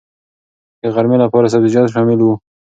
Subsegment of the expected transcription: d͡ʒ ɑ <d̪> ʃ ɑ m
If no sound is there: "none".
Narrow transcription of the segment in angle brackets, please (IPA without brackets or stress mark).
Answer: t̪